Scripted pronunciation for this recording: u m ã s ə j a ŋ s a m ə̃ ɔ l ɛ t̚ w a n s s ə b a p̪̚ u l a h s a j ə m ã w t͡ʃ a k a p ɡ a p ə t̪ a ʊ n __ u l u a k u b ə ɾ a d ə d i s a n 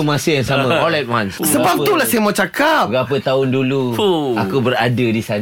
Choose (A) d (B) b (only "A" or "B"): A